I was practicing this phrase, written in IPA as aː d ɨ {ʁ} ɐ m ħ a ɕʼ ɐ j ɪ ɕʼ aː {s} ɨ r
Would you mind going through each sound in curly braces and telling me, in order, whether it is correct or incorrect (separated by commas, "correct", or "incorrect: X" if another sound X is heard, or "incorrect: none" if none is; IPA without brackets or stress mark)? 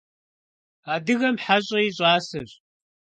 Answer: incorrect: ɣ, correct